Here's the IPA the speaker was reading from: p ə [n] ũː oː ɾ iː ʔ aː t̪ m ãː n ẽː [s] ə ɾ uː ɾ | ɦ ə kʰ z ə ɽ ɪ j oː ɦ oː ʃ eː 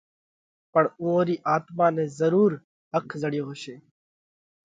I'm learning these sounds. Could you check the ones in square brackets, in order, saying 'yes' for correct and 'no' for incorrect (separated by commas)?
no, no